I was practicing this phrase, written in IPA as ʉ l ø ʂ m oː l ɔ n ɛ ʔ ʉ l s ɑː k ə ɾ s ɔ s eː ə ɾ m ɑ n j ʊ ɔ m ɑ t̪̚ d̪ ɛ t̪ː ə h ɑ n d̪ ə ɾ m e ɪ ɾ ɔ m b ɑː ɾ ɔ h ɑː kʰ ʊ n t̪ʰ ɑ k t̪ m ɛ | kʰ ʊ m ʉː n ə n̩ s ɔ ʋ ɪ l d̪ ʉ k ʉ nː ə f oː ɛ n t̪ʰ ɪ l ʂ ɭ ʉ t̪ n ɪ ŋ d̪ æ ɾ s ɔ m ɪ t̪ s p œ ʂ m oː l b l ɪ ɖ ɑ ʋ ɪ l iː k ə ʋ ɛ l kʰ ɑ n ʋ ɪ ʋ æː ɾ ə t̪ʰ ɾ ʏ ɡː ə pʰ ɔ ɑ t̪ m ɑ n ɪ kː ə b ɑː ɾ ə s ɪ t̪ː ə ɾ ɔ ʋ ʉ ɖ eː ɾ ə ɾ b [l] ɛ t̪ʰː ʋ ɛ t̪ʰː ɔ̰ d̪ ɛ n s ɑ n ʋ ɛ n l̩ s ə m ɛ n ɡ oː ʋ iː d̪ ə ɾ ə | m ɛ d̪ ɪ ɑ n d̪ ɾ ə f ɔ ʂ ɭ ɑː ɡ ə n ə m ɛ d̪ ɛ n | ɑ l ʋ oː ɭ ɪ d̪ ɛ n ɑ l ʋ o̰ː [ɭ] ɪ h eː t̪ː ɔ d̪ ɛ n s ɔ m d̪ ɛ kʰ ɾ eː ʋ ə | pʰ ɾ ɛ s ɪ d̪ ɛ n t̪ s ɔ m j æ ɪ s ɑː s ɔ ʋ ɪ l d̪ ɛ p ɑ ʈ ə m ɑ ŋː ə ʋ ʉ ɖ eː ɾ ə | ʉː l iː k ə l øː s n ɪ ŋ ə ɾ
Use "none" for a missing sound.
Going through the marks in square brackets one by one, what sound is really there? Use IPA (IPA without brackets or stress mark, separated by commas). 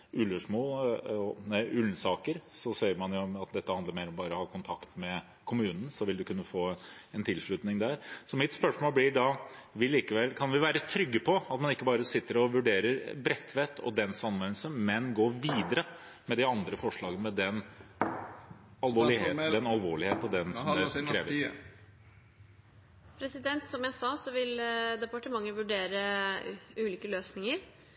ɾ, ɭ